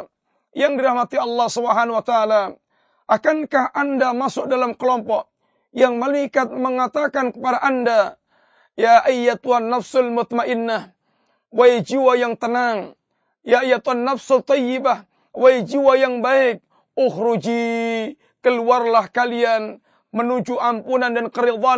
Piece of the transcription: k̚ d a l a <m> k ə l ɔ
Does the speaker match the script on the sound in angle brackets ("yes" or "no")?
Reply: yes